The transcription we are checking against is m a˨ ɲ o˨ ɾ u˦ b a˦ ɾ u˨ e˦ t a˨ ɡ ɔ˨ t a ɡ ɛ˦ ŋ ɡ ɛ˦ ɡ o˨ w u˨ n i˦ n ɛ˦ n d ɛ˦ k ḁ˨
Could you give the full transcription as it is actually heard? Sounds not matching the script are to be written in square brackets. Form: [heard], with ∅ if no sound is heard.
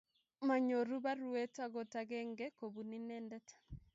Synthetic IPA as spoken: m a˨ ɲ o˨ ɾ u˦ b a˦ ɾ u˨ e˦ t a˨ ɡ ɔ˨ t a ɡ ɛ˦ ŋ ɡ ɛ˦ [k] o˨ [b] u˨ n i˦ n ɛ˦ n d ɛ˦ [t] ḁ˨